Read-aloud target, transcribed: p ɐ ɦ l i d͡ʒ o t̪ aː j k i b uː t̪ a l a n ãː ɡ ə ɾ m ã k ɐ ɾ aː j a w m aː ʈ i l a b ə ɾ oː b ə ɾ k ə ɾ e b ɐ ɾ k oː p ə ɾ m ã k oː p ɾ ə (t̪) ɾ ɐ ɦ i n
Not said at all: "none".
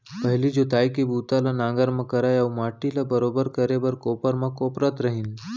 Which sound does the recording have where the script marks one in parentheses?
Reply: t̪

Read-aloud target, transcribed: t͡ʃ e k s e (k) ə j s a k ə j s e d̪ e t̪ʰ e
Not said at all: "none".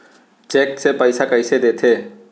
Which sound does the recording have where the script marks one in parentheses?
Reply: p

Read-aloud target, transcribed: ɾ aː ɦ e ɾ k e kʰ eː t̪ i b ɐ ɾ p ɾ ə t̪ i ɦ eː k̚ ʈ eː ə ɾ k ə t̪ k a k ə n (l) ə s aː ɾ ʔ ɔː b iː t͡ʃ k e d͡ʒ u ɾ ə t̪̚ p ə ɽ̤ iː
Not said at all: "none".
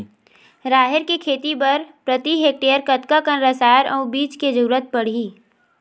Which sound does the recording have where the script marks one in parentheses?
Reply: ɾ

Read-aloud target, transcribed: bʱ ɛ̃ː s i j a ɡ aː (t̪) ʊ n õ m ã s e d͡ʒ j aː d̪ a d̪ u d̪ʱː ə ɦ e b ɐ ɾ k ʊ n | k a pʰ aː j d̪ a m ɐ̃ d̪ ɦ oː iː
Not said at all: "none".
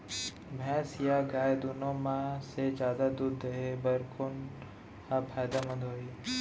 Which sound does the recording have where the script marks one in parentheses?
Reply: d̪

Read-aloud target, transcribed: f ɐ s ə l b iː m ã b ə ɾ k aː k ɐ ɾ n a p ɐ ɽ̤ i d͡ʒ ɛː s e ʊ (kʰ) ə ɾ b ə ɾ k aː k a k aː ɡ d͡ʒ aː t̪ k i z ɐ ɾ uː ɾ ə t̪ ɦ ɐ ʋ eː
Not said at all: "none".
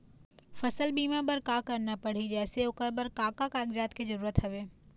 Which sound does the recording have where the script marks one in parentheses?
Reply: k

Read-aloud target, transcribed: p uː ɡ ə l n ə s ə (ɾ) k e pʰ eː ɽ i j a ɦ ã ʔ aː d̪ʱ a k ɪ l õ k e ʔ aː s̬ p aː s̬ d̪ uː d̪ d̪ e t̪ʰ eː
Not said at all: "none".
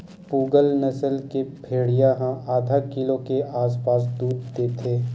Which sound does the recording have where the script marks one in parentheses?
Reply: l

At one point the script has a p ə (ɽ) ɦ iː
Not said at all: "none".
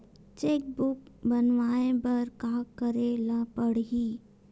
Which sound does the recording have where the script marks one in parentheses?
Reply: ɽ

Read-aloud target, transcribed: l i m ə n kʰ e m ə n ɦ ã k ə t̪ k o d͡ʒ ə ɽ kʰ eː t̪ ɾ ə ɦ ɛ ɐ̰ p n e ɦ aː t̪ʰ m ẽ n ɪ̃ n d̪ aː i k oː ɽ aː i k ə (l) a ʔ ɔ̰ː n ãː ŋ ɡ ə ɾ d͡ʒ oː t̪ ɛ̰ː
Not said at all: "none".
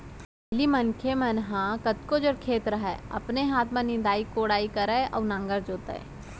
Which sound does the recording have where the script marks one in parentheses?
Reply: ɾ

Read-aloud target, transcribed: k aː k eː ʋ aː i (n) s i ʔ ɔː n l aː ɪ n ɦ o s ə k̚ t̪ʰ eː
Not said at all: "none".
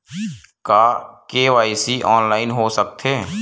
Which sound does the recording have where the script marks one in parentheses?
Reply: none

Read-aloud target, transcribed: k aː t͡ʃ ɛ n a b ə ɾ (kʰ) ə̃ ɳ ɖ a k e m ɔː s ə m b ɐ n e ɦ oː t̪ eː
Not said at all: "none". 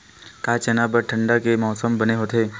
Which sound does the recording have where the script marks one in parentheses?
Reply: ʈʰ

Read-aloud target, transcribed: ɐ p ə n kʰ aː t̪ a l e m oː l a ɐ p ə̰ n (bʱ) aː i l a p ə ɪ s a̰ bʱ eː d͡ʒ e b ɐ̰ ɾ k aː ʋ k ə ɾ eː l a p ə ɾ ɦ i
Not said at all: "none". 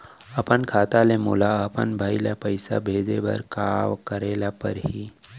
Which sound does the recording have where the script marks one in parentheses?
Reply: bʱ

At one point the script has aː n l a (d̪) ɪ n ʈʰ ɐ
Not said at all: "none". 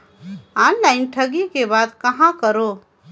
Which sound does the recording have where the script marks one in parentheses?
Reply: none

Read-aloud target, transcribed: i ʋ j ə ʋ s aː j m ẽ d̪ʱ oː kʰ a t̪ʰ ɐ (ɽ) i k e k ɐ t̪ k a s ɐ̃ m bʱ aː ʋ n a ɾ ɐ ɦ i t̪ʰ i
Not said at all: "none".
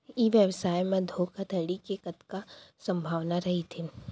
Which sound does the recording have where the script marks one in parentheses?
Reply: ɽ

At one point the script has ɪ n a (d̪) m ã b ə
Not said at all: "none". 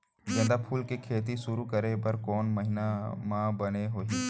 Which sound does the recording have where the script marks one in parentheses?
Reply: none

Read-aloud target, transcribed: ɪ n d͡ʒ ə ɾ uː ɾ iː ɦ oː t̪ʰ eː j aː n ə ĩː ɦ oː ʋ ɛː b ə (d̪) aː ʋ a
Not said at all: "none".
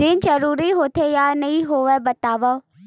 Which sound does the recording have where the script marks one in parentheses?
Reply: t̪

